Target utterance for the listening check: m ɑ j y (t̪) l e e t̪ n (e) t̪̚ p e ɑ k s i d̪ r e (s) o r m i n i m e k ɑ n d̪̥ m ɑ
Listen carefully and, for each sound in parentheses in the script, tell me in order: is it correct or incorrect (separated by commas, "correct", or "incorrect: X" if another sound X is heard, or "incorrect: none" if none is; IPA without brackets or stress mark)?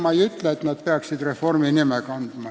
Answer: correct, incorrect: æ, incorrect: f